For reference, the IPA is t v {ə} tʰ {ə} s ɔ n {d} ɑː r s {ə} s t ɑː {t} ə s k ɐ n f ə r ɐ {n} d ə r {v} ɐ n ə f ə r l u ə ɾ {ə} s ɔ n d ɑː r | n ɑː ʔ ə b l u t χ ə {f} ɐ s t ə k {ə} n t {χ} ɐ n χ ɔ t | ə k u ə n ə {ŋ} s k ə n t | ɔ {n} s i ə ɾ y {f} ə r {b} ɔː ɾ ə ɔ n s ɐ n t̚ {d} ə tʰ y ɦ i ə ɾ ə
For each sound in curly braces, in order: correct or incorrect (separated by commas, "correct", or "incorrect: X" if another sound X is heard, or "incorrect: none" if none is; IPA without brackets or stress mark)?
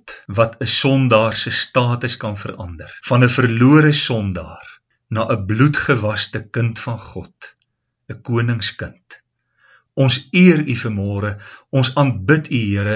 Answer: incorrect: ɐ, correct, correct, correct, correct, correct, incorrect: f, correct, incorrect: v, correct, incorrect: f, correct, correct, correct, incorrect: m, incorrect: b